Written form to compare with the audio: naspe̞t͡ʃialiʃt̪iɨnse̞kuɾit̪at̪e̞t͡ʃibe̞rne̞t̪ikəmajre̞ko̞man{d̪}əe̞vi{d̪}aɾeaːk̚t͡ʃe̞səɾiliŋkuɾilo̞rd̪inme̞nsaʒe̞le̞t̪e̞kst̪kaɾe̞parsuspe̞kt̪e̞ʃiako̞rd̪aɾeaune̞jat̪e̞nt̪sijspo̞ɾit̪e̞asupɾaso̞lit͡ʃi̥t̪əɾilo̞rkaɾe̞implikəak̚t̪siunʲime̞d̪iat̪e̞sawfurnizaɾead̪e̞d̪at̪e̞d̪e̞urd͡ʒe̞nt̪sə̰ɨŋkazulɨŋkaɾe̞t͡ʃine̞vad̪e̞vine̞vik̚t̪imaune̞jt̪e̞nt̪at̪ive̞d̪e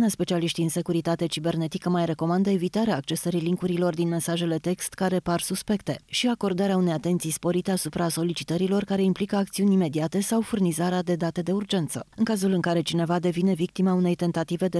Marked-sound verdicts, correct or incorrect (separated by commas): correct, incorrect